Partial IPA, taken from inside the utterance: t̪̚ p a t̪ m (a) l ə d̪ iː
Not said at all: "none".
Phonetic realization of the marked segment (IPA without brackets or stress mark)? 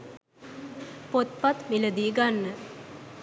i